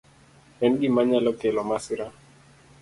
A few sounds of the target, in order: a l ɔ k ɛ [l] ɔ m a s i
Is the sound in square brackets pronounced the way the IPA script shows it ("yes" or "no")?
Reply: yes